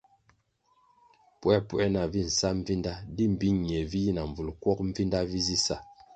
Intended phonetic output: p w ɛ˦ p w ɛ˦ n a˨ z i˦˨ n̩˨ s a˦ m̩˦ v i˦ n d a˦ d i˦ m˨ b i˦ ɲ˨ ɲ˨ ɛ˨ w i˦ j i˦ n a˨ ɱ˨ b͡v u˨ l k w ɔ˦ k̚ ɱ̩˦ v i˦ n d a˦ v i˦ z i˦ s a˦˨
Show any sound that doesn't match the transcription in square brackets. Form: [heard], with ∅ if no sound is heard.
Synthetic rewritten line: p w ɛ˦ p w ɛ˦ n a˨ [v] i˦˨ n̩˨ s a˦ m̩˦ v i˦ n d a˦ d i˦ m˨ b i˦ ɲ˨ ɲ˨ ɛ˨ [v] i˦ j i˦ n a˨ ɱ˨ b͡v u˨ l k w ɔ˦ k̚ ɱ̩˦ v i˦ n d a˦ v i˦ z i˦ s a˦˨